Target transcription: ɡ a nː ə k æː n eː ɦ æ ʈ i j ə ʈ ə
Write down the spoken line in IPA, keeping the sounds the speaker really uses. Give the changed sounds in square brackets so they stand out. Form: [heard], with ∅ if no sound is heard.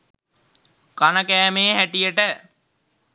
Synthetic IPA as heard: [k] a [n] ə k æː [m] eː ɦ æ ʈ i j ə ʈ ə